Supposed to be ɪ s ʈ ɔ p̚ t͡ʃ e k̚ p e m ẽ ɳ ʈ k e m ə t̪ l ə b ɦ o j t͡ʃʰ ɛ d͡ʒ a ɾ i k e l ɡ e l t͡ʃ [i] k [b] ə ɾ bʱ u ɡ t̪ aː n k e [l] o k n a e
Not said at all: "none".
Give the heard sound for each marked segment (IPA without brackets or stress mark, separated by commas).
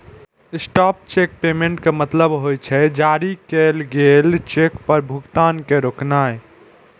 e, p, ɾ